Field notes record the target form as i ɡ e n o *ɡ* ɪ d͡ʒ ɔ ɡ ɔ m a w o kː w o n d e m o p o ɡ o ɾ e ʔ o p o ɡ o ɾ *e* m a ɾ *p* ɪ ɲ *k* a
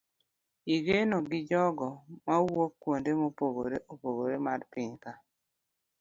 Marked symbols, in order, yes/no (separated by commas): yes, yes, yes, yes